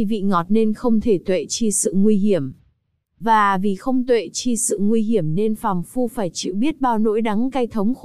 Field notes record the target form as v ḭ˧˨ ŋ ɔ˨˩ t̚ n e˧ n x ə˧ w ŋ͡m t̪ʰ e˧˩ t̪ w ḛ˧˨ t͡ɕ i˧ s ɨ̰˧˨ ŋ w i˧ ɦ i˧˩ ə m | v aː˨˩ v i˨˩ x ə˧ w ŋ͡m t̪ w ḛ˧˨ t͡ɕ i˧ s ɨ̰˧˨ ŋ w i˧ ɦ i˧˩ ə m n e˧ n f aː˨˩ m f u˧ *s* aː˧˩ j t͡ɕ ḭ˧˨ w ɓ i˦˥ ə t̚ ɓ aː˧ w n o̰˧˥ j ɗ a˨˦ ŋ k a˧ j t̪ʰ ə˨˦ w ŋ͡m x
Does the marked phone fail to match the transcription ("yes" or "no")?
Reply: yes